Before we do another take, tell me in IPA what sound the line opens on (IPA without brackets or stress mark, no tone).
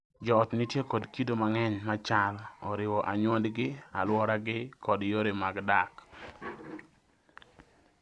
d͡ʒ